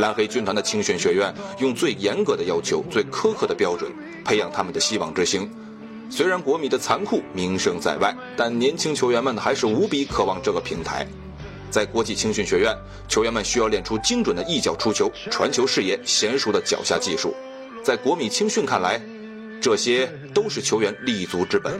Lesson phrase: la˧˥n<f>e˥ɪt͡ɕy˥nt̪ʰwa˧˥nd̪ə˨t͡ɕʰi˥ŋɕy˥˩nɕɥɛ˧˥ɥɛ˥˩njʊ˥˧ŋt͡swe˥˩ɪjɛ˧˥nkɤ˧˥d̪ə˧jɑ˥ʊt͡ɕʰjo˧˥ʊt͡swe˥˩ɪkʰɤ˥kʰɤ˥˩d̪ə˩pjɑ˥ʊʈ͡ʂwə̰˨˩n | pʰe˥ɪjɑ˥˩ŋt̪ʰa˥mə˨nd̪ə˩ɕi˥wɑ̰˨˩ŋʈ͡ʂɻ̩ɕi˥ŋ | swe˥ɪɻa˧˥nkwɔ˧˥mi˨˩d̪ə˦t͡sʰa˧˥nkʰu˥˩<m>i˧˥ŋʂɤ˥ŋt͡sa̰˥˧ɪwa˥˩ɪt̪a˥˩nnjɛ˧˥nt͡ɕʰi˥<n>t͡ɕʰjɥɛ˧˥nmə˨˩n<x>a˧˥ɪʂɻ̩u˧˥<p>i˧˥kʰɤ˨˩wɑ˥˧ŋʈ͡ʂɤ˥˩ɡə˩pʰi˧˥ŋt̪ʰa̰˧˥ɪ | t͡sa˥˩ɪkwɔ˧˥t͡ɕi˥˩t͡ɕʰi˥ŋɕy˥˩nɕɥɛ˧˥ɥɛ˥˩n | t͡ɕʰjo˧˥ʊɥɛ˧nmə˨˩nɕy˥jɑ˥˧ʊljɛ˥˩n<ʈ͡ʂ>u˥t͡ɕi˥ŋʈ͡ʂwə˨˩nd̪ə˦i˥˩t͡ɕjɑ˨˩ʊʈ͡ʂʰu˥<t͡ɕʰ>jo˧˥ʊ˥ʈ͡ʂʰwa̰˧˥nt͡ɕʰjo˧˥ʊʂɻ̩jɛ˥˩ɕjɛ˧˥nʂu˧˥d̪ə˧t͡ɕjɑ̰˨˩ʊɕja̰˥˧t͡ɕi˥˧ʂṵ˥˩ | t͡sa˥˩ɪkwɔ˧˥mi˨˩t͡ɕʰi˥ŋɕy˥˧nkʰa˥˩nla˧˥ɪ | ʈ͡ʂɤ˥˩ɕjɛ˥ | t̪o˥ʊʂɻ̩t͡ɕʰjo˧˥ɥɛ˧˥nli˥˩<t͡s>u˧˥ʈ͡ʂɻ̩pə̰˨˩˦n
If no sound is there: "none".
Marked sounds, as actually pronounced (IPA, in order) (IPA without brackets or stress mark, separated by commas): x, m, ŋ, x, p, ʈ͡ʂʰ, t͡ɕʰ, t͡s